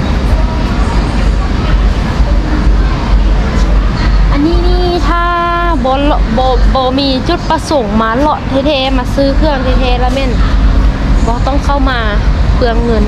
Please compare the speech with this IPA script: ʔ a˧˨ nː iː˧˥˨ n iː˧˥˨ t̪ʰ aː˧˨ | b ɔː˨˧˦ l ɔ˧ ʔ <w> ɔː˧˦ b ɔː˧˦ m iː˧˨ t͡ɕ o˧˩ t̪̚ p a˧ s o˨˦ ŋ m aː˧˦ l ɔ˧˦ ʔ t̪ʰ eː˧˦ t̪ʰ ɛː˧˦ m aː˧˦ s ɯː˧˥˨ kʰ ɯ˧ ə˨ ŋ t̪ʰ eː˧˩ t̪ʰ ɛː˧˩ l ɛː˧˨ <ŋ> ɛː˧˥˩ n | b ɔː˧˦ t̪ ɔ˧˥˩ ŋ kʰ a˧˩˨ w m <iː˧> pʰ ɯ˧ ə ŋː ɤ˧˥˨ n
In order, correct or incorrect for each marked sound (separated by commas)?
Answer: incorrect, incorrect, incorrect